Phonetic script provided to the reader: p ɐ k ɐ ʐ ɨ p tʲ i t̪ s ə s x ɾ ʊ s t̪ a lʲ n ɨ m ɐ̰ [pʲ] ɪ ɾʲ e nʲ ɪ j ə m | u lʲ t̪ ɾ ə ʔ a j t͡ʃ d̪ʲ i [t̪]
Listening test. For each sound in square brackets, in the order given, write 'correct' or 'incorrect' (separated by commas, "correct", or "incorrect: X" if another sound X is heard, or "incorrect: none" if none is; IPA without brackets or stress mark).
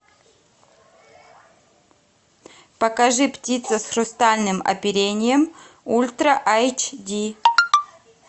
correct, incorrect: none